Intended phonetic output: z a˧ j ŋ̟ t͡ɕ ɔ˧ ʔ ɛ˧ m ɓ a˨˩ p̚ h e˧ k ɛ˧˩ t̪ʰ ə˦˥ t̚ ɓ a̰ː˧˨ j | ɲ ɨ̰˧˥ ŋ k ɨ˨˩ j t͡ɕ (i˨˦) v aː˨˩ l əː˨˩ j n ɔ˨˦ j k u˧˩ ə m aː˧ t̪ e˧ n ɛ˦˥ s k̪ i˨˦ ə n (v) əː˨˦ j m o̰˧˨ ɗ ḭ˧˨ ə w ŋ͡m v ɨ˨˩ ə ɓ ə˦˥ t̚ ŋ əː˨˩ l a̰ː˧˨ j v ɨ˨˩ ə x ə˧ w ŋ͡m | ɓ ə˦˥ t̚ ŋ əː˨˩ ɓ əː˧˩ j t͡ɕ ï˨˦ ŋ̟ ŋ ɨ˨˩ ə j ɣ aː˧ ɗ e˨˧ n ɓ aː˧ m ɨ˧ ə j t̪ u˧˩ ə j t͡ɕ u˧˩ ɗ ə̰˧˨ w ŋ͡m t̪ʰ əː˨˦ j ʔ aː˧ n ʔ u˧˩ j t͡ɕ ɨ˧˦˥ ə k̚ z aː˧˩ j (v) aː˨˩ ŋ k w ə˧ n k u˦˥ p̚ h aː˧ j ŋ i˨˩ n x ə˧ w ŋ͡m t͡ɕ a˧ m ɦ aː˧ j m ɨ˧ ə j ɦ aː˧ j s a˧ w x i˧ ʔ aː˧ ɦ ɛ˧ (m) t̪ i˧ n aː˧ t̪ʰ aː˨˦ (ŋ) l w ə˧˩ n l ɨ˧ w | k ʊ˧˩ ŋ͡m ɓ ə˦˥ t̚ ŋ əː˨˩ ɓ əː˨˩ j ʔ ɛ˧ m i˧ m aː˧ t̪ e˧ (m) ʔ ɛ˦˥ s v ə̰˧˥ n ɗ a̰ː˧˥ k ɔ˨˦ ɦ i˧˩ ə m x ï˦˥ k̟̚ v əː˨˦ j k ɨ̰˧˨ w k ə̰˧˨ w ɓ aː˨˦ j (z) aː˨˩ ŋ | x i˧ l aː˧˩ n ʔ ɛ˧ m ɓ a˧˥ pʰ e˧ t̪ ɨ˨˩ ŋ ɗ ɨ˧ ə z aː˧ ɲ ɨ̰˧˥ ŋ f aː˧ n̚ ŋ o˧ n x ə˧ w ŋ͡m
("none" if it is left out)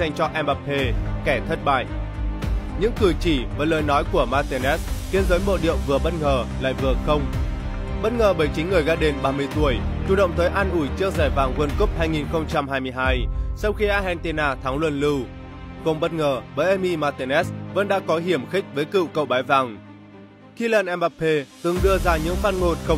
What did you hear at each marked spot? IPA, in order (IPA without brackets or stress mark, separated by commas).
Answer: i˧˩, z, v, n, ŋ, n, v